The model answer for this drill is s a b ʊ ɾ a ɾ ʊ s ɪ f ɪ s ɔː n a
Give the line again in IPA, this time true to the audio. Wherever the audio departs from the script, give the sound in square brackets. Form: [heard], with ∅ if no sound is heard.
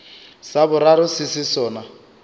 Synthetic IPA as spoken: s a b ʊ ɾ a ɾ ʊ s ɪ [s] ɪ s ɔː n a